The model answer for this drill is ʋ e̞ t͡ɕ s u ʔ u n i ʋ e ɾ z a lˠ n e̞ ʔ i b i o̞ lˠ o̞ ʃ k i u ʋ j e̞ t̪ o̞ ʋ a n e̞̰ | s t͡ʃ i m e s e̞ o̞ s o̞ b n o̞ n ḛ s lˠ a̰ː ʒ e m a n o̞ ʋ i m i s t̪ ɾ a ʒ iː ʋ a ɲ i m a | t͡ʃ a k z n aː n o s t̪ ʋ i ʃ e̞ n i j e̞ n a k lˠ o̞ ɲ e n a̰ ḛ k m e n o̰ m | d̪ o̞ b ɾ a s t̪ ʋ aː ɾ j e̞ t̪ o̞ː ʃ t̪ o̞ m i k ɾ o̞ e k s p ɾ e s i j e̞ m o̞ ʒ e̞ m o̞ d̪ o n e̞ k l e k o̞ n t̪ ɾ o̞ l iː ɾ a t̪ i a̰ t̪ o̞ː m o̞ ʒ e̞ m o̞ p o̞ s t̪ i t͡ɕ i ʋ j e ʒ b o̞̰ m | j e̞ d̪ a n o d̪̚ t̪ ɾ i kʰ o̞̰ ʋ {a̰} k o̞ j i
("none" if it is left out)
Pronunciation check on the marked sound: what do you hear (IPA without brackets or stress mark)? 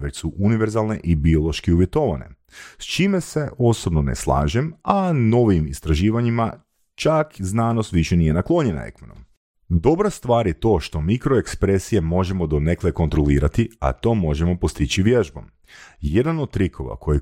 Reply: a̰